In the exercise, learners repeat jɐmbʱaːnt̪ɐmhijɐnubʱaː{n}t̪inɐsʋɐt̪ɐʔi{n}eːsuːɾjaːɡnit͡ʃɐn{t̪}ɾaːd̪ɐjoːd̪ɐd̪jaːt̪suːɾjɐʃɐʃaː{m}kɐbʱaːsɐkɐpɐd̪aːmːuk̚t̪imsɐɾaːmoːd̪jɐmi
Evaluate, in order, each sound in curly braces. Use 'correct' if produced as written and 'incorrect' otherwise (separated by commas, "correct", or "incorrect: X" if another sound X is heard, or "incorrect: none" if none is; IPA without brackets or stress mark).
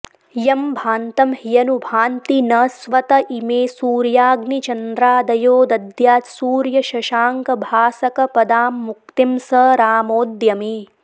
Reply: correct, incorrect: m, incorrect: d̪, incorrect: ŋ